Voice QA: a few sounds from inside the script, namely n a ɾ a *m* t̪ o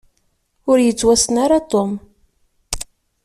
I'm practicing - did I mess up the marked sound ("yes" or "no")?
yes